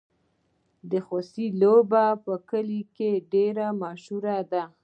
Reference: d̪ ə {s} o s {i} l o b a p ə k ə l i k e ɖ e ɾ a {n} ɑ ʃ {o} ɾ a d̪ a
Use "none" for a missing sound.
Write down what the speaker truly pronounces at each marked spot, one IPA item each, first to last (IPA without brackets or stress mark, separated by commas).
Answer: x, i, m, u